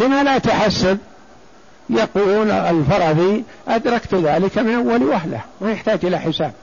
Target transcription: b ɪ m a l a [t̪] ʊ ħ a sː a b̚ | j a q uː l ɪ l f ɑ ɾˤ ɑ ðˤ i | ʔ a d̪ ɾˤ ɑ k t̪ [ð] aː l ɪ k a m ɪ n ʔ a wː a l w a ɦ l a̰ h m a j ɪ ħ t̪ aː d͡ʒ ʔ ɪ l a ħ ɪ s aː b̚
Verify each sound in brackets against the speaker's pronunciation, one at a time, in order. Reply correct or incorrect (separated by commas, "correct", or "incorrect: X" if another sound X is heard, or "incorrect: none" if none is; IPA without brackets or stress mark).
correct, correct